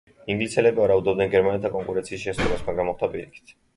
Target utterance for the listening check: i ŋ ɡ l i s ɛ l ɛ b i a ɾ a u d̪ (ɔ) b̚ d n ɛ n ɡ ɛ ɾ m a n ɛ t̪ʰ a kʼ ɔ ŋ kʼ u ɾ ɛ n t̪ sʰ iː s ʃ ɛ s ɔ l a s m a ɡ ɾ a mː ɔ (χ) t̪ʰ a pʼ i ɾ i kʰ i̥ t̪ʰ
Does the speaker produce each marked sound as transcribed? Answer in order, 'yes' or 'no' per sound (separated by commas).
yes, yes